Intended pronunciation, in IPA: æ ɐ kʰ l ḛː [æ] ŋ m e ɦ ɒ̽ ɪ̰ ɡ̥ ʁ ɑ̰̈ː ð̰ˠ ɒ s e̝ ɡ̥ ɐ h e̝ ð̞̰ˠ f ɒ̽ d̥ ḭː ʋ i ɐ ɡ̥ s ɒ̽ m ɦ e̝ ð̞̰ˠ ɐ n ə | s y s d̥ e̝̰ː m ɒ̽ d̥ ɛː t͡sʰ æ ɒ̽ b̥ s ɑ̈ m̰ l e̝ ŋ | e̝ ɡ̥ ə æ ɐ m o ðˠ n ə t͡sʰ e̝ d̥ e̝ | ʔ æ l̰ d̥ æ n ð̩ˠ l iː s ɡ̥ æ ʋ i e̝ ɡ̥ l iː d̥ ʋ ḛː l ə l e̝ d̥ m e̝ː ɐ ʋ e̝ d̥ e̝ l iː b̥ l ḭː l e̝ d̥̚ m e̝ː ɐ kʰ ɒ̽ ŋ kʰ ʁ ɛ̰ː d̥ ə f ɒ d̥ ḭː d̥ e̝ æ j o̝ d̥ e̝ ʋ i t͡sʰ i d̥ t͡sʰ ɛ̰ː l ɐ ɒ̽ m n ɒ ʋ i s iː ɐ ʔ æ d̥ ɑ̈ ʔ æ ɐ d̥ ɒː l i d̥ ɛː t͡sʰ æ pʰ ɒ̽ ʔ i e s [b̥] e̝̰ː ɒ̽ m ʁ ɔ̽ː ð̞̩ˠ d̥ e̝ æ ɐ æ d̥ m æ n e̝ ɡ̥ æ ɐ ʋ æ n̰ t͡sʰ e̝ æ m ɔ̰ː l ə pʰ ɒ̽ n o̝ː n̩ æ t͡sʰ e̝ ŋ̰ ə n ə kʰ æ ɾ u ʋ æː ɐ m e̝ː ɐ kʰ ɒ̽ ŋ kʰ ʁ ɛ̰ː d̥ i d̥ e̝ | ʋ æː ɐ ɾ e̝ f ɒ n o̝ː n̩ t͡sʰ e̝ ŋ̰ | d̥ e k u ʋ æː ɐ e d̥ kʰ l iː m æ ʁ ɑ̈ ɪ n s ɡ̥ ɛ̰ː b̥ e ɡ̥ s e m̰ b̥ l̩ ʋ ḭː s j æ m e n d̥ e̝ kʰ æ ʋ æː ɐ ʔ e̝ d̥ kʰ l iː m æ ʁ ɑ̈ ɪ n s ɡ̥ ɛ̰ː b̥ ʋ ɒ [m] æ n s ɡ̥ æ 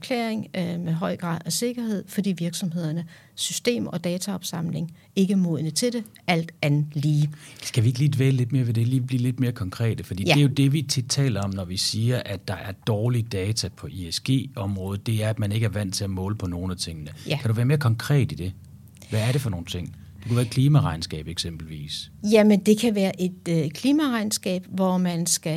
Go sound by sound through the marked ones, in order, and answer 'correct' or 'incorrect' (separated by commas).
incorrect, incorrect, correct